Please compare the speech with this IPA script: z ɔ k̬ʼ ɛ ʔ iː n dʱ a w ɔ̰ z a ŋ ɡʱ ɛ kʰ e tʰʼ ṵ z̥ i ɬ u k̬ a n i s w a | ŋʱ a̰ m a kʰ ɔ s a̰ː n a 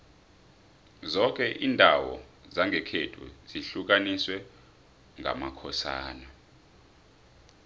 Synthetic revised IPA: z ɔ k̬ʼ ɛ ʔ iː n dʱ a w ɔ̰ z a ŋ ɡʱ ɛ kʰ e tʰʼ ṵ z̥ i ɬ u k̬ a n i s w ɛ | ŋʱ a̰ m a kʰ ɔ s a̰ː n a